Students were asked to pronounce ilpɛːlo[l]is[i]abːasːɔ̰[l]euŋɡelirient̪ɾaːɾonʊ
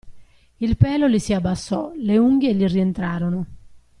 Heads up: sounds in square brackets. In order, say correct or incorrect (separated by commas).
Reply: correct, correct, correct